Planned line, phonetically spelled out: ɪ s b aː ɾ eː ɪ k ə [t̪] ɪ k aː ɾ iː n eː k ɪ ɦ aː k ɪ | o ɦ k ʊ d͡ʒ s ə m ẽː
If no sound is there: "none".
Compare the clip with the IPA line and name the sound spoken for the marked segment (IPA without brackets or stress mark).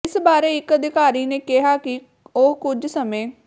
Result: d̪